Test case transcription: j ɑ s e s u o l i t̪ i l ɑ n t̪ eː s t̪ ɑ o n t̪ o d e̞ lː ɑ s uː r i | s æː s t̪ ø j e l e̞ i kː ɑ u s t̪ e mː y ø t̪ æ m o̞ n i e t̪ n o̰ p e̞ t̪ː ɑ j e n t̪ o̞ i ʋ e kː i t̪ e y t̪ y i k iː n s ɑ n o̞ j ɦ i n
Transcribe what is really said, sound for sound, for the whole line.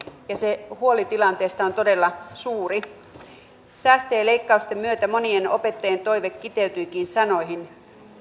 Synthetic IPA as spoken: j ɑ s e h u o l i t̪ i l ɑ n t̪ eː s t̪ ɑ o n t̪ o d e̞ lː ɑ s uː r i | s æː s t̪ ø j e l e̞ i kː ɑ u s t̪ e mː y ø t̪ æ m o̞ n i e n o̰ p e̞ t̪ː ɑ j e n t̪ o̞ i ʋ e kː i t̪ e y t̪ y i k iː n s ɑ n o̞ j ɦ i n